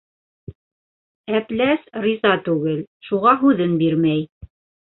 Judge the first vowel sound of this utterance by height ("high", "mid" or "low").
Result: low